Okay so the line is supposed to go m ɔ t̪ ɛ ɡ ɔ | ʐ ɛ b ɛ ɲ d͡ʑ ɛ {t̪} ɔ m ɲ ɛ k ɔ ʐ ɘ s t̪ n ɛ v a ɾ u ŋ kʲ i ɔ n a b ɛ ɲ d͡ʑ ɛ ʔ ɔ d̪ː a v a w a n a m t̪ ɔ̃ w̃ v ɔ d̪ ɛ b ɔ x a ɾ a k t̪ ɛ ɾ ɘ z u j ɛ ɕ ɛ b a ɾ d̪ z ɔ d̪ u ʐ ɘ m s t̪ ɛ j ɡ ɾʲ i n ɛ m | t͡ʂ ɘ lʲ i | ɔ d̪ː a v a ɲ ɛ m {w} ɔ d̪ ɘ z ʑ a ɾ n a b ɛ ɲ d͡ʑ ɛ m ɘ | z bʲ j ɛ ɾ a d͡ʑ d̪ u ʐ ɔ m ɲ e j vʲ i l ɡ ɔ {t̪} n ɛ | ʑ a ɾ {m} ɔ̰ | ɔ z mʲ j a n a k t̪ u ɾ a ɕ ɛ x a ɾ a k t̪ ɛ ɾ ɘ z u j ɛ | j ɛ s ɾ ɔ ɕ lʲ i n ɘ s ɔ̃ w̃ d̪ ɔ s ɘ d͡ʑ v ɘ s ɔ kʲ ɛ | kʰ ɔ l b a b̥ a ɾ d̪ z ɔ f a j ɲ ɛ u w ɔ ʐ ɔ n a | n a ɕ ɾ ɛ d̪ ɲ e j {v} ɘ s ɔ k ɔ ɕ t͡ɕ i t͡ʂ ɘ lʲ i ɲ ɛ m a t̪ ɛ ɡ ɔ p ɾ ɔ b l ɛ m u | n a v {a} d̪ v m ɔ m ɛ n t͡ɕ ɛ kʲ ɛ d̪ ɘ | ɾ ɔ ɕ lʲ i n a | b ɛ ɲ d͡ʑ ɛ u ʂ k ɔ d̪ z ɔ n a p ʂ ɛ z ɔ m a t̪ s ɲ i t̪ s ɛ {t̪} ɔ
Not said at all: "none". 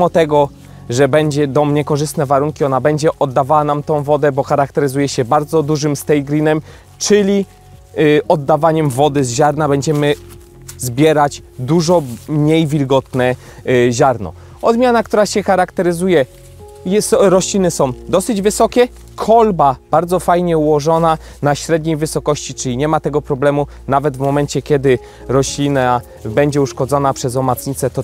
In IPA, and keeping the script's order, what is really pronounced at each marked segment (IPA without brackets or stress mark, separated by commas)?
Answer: d̪, v, t̪, n, v, ɛ, t̪